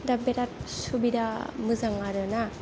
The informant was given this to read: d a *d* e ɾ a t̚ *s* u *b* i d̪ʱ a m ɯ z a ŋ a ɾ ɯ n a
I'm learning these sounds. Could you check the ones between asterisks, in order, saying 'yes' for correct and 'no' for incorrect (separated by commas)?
no, yes, yes